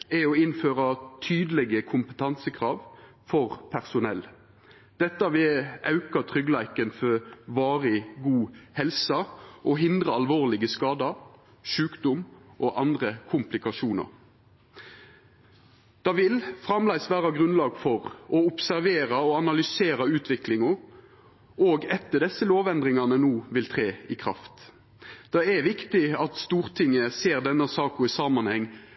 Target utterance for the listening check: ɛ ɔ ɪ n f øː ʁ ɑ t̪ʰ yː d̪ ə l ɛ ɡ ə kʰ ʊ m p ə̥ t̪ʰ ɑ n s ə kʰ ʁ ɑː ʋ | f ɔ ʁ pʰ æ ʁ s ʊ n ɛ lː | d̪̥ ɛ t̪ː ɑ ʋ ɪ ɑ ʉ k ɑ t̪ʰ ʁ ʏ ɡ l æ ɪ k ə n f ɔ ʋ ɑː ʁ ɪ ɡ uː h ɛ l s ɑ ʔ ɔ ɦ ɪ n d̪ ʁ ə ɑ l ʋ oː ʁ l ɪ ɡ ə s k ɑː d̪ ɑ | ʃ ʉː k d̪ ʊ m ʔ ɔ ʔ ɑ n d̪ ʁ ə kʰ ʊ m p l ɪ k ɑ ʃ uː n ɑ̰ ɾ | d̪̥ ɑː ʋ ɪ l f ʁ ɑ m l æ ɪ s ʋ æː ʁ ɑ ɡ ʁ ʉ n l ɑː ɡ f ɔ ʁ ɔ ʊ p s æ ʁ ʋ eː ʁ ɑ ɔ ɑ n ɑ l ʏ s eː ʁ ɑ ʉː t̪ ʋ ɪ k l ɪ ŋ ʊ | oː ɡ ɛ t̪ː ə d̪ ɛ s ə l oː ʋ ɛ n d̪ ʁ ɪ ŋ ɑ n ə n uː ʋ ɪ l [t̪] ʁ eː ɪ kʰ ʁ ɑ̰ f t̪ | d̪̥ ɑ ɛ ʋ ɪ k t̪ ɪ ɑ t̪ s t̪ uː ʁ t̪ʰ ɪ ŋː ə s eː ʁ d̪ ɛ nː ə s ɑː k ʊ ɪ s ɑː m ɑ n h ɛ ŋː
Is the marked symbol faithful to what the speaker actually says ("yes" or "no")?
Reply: no